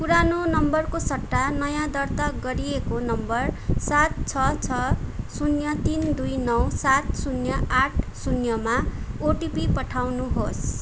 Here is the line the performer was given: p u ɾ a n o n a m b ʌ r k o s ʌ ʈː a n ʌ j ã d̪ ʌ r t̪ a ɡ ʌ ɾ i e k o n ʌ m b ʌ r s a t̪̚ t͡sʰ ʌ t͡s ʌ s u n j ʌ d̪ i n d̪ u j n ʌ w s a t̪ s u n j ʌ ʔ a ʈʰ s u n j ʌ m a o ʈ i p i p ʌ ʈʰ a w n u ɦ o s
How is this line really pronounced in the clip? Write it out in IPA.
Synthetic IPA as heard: p u ɾ a n o n ʌ m b ʌ r k o s ʌ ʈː a n ʌ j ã d̪ ʌ r t̪ a ɡ ʌ ɾ i e k o n ʌ m b ʌ r s a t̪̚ t͡sʰ ʌ t͡sʰ ʌ s u n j ʌ t̪ i n d̪ u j n ʌ w s a t̪ s u n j ʌ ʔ a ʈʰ s u n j ʌ m a o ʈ i p i p ʌ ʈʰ a w n u ɦ o s